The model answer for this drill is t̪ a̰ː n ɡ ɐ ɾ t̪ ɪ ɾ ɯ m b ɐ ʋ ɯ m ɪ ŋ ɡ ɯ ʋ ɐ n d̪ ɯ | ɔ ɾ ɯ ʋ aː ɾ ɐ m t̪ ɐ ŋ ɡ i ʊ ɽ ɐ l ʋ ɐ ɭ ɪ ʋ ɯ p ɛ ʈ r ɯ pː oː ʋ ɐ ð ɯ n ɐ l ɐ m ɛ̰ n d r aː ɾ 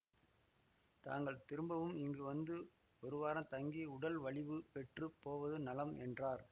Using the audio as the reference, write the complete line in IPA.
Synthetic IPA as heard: t̪ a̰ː ŋ ɡ ɐ ɭ t̪ ɪ ɾ ɯ m b ɐ ʋ ɯ m ɪ ŋ ɡ ɯ ʋ ɐ n d̪ ɯ | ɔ ɾ ɯ ʋ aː ɾ ɐ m t̪ ɐ ŋ ɡ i ʊ ɽ ɐ l ʋ ɐ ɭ ɪ ʋ ɯ p ɛ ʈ r ɯ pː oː ʋ ɐ ð ɯ n ɐ l ɐ m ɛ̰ n d r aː ɾ